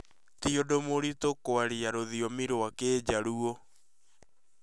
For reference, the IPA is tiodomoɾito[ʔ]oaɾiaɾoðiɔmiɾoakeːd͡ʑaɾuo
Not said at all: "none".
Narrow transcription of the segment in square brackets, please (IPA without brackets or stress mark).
k